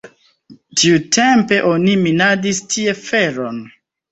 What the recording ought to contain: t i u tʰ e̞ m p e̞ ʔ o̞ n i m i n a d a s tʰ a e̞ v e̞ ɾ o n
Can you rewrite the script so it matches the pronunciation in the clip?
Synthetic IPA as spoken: t i u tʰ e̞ m p e̞ ʔ o̞ n i m i n a d i s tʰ i e̞ f e̞ ɾ o n